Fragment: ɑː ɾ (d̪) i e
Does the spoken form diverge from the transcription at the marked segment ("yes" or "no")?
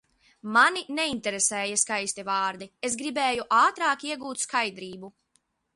no